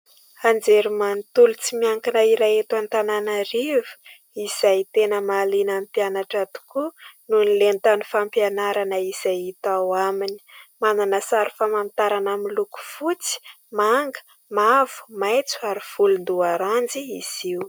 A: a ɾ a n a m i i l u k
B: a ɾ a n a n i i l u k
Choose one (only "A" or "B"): A